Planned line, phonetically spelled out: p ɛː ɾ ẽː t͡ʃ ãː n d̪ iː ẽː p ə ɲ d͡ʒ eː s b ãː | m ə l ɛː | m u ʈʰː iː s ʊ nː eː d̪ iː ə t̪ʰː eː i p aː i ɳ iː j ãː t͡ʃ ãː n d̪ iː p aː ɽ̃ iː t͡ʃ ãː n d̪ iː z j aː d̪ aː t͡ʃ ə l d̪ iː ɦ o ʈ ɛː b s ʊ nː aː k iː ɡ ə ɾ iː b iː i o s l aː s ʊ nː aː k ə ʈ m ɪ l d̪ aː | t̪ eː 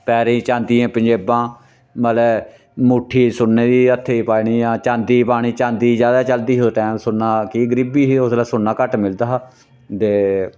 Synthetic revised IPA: p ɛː ɾ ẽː t͡ʃ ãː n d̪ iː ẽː p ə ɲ d͡ʒ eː b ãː | m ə l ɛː | m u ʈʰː iː s ʊ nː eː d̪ iː ə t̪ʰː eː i p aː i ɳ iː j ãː t͡ʃ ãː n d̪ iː p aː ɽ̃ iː t͡ʃ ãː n d̪ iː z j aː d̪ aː t͡ʃ ə l d̪ iː ɦ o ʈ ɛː m s ʊ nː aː k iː ɡ ə ɾ iː b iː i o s l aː s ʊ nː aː k ə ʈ m ɪ l d̪ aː | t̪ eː